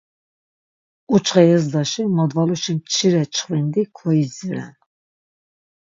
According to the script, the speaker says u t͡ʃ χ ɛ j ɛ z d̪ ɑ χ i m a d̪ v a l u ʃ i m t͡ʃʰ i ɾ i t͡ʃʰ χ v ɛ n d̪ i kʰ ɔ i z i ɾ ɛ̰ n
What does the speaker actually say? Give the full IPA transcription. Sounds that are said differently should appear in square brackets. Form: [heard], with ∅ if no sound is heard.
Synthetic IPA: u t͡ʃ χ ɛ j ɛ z d̪ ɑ [ʃ] i m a d̪ v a l u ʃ i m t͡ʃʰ i ɾ [ɛ] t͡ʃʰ χ v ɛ n d̪ i kʰ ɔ i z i ɾ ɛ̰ n